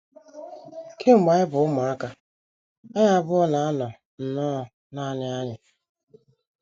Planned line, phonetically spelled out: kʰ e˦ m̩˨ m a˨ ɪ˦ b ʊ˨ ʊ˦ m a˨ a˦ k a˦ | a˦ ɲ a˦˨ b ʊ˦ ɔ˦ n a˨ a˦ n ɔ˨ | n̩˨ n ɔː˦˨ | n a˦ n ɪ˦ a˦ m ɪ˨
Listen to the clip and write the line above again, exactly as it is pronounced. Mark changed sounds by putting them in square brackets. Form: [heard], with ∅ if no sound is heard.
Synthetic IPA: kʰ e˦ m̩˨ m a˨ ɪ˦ b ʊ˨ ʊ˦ m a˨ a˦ k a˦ | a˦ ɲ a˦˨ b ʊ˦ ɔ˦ n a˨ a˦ n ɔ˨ | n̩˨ n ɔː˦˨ | n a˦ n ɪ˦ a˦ [ɲ] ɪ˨